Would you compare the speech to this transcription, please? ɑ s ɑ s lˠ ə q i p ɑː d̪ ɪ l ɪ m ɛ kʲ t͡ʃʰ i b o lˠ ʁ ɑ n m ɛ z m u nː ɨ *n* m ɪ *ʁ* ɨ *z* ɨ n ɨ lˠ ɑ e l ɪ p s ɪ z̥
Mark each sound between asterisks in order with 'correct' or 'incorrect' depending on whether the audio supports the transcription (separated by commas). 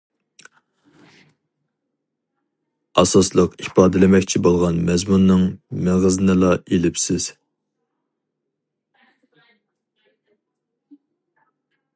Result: incorrect, correct, correct